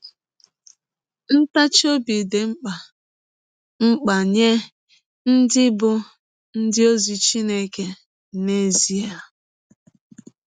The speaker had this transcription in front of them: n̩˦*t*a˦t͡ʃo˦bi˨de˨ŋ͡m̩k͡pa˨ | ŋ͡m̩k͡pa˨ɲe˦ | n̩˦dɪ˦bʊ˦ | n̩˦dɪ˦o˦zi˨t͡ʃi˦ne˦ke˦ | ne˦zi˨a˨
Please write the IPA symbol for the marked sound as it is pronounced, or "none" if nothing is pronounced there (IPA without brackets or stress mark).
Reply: t